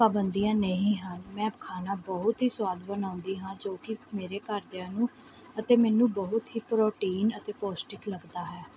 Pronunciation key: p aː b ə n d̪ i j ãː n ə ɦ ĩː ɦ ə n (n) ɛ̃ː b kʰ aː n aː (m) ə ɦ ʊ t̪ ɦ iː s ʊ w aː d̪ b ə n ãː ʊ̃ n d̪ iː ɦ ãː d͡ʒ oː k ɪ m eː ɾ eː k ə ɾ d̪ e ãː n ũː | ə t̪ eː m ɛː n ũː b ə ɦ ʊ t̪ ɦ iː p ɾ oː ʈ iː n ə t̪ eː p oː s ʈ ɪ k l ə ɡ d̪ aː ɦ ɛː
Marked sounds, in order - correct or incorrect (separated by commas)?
incorrect, incorrect